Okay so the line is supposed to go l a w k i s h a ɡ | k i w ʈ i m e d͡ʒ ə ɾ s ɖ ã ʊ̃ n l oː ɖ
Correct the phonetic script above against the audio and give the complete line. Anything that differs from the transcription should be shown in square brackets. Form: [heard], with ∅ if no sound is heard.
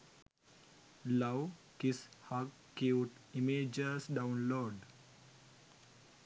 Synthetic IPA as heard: l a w k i s h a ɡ | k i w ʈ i m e d͡ʒ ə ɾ s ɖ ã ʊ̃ n l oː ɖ